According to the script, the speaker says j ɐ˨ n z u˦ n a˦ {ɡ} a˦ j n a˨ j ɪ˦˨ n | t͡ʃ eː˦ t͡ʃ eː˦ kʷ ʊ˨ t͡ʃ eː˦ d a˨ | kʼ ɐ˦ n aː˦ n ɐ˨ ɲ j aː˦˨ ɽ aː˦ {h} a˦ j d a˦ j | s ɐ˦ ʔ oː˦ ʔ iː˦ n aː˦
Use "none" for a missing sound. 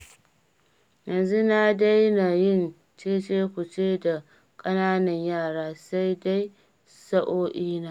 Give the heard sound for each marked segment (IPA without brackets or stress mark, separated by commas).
d, s